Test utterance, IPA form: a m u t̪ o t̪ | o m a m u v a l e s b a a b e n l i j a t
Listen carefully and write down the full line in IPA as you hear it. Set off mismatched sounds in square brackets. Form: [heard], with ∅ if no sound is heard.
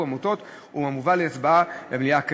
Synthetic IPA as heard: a m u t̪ o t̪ | [u] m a m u v a l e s b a a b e [m] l i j a [k]